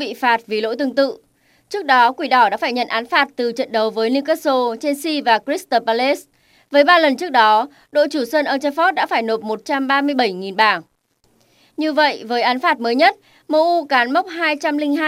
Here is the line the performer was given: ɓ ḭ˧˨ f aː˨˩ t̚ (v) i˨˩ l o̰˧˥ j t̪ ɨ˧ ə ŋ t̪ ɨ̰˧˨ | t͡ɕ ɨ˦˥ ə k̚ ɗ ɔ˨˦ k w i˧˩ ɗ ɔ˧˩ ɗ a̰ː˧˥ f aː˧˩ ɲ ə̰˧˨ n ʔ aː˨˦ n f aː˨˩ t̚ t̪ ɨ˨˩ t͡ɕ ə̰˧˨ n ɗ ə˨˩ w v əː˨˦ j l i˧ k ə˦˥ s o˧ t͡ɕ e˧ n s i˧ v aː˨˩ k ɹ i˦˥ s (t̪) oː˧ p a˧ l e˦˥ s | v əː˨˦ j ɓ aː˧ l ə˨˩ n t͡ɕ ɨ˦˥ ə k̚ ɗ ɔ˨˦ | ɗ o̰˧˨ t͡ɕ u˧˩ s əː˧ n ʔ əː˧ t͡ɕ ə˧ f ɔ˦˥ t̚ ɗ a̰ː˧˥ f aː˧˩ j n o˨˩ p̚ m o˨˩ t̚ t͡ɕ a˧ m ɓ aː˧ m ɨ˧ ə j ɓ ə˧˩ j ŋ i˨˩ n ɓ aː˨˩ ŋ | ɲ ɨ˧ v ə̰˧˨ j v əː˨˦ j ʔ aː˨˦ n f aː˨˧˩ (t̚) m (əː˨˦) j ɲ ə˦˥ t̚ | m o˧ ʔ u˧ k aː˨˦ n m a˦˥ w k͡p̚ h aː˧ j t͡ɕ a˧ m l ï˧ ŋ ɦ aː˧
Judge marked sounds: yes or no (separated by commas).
yes, yes, yes, yes